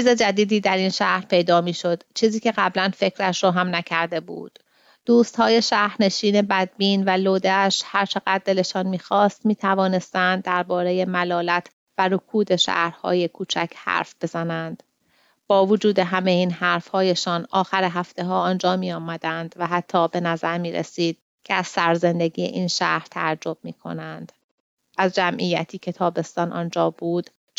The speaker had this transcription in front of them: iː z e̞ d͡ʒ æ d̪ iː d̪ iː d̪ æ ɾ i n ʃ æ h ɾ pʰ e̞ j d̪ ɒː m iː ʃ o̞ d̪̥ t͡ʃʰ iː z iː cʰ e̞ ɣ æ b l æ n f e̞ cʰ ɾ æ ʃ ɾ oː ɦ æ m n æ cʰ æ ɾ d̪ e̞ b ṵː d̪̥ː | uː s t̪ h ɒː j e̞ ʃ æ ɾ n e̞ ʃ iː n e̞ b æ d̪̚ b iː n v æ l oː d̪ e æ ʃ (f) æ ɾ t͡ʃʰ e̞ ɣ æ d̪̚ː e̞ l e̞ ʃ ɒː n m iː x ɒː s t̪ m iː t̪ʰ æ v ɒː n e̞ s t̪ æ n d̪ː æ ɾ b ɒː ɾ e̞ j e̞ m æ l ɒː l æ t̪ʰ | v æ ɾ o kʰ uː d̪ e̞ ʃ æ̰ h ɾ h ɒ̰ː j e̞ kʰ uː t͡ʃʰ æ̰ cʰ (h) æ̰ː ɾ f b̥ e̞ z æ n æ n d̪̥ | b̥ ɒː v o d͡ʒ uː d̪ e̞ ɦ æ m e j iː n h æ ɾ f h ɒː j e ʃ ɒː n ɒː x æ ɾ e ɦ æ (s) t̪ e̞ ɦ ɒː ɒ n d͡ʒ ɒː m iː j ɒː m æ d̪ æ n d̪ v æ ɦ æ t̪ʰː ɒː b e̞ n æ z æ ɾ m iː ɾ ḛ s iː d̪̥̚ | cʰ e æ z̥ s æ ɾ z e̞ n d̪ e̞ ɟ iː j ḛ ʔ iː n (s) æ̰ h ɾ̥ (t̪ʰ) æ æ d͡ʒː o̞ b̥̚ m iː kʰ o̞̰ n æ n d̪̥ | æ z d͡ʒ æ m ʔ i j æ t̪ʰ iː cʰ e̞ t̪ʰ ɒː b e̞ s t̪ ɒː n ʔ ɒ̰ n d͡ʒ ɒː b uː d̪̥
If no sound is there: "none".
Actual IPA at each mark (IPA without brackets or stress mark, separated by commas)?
h, h, f, ʃ, t̪ʰ